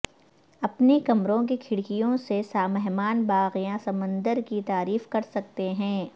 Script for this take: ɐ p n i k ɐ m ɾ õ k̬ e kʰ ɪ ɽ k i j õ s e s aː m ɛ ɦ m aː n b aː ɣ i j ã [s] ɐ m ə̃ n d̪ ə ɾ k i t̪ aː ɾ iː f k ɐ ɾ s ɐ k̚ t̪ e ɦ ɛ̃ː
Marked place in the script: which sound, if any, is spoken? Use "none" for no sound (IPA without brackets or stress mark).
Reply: s